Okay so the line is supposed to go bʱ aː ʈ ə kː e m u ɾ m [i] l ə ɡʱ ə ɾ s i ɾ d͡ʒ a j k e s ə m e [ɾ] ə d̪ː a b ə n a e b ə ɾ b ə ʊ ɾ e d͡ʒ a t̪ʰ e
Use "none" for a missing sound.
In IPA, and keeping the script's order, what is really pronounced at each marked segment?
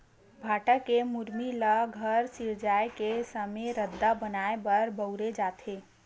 i, ɾ

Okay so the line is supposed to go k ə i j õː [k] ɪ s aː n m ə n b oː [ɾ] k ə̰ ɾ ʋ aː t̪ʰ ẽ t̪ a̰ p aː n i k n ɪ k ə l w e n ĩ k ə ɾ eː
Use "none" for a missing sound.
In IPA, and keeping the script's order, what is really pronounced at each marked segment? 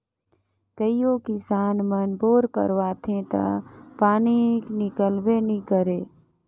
k, ɾ

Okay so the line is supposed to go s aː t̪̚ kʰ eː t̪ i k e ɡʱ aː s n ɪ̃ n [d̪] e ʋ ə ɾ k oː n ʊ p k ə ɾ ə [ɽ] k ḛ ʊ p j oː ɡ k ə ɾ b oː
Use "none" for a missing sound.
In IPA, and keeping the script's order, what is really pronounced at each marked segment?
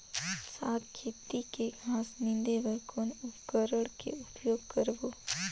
d̪, ɽ

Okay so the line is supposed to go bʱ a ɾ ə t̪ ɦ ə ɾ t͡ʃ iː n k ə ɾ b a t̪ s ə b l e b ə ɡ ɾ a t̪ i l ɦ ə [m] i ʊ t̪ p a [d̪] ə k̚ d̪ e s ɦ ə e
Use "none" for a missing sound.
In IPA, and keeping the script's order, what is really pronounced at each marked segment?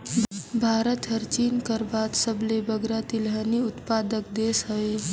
n, d̪

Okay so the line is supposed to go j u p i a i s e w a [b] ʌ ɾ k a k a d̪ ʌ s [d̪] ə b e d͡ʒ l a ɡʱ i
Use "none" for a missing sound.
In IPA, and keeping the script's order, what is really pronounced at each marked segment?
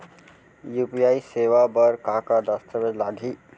b, t̪

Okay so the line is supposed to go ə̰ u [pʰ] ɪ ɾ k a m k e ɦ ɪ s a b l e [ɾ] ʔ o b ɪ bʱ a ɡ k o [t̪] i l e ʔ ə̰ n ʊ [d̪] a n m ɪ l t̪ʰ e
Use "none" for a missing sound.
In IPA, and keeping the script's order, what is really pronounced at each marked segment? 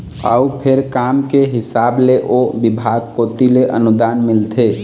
pʰ, none, t̪, d̪

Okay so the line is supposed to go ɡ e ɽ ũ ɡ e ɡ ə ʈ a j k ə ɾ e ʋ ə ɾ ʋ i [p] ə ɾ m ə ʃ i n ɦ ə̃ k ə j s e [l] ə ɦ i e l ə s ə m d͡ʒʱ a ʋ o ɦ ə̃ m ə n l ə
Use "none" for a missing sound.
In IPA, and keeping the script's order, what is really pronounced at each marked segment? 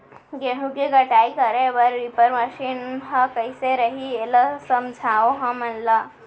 p, ɾ

